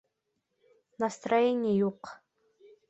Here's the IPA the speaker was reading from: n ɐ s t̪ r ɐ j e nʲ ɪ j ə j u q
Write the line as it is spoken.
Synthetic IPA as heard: n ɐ s t̪ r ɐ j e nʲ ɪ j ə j u q